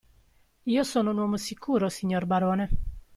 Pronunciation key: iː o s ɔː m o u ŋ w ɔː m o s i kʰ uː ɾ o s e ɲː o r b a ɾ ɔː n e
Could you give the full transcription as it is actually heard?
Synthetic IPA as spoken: iː o s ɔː n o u n w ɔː m o s i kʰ uː ɾ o s i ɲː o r b a ɾ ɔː n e

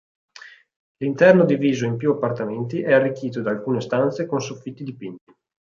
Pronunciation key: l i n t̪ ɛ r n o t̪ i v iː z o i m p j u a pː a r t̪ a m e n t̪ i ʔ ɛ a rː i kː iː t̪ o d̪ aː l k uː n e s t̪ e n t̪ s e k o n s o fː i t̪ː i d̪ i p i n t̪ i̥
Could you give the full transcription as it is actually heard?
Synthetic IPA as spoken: l i n t̪ ɛ r n o d̪ i v iː z o i m p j u a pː a r t̪ a m e n t̪ i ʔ ɛ a rː i kː iː t̪ o d̪ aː l k uː n e s t̪ a n t̪ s e k o n s o fː i t̪ː i d̪ i p i n t̪ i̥

